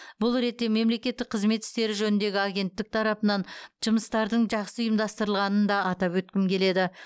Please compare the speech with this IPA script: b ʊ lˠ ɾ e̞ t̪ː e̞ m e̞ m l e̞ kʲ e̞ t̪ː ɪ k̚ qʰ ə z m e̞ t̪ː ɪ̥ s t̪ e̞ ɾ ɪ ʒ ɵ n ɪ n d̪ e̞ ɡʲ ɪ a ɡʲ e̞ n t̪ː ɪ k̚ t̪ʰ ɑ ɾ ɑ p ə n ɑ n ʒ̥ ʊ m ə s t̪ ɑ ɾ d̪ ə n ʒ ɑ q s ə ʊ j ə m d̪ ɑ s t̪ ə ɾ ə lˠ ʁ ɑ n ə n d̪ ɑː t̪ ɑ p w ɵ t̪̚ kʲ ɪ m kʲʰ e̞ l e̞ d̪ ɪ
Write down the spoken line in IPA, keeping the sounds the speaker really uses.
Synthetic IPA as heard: b ʊ lˠ ɾ e̞ t̪ː e̞ m e̞ m l e̞ kʲ e̞ t̪ː ɪ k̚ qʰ ə z m e̞ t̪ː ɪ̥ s t̪ e̞ ɾ ɪ ʒ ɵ n ɪ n d̪ e̞ ɡʲ ɪ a ɡʲ e̞ n t̪ː ɪ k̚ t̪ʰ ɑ ɾ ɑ p ə n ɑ n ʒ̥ ʊ m ə s t̪ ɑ ɾ d̪ ə ɴ ʒ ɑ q s ə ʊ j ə m d̪ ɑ s t̪ ə ɾ ə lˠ ʁ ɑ n ə n d̪ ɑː t̪ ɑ p w ɵ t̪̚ kʲ ɪ m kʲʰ e̞ l e̞ d̪ ɪ